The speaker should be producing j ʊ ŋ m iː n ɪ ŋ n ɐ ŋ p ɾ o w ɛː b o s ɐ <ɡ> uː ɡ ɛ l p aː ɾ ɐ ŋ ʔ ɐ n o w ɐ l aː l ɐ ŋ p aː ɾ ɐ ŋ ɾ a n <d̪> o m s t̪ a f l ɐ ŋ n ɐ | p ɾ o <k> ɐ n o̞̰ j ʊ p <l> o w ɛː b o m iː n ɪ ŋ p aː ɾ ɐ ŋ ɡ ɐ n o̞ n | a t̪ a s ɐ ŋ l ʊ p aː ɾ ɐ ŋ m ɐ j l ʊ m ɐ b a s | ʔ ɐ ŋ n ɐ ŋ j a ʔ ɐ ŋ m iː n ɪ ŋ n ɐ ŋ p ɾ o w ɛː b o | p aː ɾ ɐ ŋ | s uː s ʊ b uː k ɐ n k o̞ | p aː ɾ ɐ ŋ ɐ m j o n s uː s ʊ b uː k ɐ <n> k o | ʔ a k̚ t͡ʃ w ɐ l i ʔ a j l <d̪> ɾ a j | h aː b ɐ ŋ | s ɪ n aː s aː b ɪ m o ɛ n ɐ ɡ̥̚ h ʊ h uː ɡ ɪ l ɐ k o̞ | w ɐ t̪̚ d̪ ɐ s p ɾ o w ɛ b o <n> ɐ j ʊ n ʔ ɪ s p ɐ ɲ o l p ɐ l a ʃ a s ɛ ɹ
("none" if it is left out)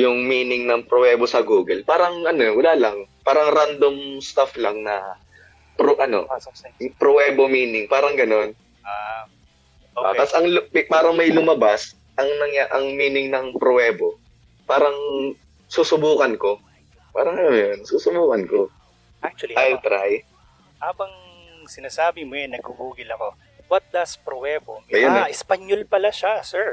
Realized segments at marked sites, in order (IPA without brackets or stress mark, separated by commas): ɡ, d̪, ʔ, ɾ, n, t̪, m